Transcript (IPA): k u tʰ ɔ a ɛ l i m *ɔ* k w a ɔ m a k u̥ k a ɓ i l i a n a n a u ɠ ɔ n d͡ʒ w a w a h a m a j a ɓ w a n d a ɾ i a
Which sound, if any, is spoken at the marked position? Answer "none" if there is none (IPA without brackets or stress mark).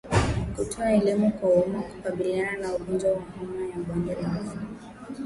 u